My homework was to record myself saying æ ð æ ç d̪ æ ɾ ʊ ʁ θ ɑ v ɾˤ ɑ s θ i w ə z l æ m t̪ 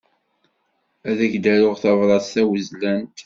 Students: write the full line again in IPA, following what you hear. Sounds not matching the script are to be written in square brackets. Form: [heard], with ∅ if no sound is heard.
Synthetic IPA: æ ð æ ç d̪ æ ɾ ʊ ʁ θ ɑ v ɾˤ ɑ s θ [æ] w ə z l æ [n] t̪